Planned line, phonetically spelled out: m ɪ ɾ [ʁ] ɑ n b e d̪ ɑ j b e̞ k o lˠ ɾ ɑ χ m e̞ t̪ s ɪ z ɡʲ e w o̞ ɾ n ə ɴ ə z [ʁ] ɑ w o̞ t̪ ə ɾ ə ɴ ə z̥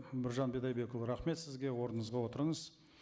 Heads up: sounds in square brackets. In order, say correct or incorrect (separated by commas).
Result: incorrect, correct